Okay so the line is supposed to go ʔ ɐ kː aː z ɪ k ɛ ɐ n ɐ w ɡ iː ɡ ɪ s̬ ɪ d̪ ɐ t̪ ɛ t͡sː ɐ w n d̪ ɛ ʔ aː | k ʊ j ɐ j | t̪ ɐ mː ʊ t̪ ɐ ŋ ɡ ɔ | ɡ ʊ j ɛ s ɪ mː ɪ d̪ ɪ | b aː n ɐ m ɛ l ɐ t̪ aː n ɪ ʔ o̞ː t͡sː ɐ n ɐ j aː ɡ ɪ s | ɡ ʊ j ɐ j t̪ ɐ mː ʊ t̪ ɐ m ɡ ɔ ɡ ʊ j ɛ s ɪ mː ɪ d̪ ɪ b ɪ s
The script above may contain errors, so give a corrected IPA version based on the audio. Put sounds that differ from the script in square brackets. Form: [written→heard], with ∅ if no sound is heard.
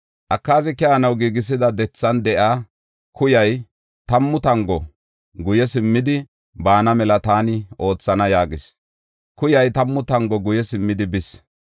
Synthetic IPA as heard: ʔ ɐ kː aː z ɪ k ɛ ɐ n ɐ w ɡ iː ɡ ɪ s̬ ɪ d̪ ɐ [t̪→d̪] ɛ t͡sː ɐ [w→∅] n d̪ ɛ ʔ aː | k ʊ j ɐ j | t̪ ɐ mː ʊ t̪ ɐ ŋ ɡ ɔ | ɡ ʊ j ɛ s ɪ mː ɪ d̪ ɪ | b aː n ɐ m ɛ l ɐ t̪ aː n ɪ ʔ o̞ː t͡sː ɐ n ɐ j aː ɡ ɪ s | [ɡ→k] ʊ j ɐ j t̪ ɐ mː ʊ t̪ ɐ [m→ŋ] ɡ ɔ ɡ ʊ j ɛ s ɪ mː ɪ d̪ ɪ b ɪ s